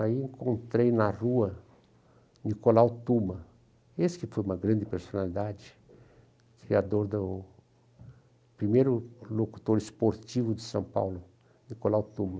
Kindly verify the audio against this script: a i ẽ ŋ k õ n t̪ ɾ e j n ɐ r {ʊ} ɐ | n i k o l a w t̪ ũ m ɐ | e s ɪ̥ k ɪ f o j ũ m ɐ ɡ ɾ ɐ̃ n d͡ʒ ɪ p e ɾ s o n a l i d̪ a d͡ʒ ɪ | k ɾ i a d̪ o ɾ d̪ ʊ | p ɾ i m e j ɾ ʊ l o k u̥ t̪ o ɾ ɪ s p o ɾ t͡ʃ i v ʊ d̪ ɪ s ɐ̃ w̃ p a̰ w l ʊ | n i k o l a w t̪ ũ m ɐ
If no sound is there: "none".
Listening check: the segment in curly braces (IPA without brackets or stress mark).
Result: u